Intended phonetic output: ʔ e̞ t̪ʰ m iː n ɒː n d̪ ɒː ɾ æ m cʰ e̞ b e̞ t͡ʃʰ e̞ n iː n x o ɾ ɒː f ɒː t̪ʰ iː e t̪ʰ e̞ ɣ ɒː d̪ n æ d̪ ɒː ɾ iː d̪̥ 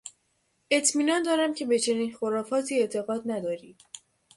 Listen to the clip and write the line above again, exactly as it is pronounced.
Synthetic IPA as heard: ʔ e̞ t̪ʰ m iː n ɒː n d̪ ɒː ɾ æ m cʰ e̞ b e̞ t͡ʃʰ e̞ n iː n x o ɾ ɒː f ɒː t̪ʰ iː e t̪ʰ e̞ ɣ ɒː d̪ n æ d̪ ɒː ɾ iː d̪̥